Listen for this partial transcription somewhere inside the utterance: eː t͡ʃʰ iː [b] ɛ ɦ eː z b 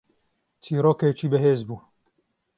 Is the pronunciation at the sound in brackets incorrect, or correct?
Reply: correct